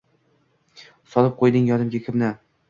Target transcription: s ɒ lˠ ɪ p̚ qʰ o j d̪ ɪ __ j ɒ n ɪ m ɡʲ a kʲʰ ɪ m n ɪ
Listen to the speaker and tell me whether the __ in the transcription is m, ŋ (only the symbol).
ŋ